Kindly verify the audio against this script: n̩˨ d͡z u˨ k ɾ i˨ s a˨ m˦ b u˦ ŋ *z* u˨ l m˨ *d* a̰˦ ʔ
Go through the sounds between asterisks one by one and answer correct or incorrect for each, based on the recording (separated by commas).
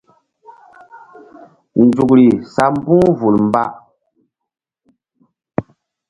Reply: incorrect, incorrect